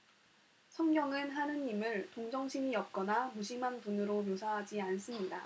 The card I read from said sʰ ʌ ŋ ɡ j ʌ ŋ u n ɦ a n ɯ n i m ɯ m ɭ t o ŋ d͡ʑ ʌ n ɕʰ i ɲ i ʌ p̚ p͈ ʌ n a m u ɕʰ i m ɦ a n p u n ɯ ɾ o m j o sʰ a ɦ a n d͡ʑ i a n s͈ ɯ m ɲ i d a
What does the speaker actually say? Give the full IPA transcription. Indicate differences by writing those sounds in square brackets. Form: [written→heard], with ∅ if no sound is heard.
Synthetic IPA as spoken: sʰ ʌ ŋ ɡ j ʌ ŋ [u→ɯ] n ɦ a n ɯ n i m ɯ [m→∅] ɭ t o ŋ d͡ʑ ʌ [n→ŋ] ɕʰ i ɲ i ʌ p̚ [p͈→k͈] ʌ n a m u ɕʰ i m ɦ a n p u n ɯ ɾ o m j o sʰ a ɦ a [n→∅] d͡ʑ i a n s͈ ɯ m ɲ i d a